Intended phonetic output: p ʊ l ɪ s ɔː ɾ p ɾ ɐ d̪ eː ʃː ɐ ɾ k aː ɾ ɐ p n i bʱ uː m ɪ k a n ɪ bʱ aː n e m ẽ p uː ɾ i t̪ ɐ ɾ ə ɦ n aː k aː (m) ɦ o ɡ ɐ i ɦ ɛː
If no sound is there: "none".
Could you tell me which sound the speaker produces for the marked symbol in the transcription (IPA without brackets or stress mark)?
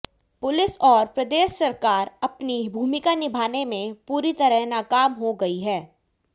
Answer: m